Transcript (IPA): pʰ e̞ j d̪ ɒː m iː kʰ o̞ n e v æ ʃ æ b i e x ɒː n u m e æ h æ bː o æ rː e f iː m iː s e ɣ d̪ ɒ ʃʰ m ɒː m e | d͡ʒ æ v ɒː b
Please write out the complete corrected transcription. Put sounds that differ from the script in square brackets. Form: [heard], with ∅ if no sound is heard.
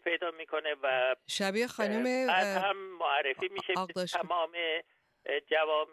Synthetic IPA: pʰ e̞ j d̪ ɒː m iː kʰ o̞ n e v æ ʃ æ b i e x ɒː n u m e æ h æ [mː] o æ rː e f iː m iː [ʃ] e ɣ d̪ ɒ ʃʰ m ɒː m e | d͡ʒ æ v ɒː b